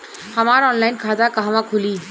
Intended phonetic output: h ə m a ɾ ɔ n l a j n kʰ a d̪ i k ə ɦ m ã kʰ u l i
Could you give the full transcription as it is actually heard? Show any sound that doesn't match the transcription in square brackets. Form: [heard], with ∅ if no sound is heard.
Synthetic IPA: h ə m a ɾ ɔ n l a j n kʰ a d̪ [a] k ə ɦ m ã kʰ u l i